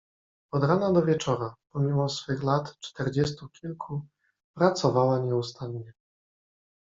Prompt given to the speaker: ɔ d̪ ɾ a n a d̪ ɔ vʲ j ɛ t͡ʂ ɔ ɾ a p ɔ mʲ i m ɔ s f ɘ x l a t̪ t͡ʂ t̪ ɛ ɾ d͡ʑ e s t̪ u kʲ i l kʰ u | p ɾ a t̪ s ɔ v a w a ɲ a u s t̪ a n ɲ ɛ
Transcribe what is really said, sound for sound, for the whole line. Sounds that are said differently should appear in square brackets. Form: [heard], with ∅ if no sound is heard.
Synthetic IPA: ɔ d̪ ɾ a n a d̪ ɔ vʲ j ɛ t͡ʂ ɔ ɾ a p ɔ mʲ i m ɔ s f ɘ x l a t̪ t͡ʂ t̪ ɛ ɾ d͡ʑ [ɛ] s t̪ u kʲ i l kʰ u | p ɾ a t̪ s ɔ v a w a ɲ [ɛ] u s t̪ a n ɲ ɛ